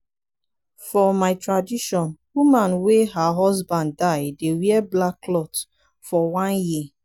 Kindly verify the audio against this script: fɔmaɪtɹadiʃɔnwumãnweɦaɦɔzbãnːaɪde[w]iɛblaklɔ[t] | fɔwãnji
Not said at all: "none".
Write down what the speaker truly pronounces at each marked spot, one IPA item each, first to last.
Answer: w, t

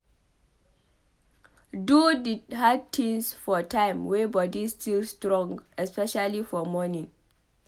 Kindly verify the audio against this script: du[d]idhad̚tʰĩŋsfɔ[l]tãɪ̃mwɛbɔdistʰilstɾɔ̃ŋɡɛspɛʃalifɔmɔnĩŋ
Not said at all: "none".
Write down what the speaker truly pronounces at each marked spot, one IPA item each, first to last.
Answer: d, none

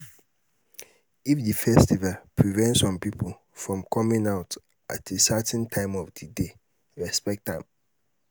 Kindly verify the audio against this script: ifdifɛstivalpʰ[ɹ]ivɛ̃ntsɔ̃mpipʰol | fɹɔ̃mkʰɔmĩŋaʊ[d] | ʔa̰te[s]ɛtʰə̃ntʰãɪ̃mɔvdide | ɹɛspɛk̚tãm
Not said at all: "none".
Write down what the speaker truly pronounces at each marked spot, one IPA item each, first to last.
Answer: ɹ, t, s

